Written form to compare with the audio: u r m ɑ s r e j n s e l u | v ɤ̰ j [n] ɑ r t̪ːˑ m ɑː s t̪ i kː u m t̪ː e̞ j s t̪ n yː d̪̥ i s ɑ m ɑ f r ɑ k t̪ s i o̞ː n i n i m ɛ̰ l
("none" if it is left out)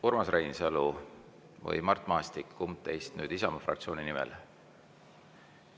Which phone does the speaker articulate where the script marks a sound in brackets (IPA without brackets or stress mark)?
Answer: m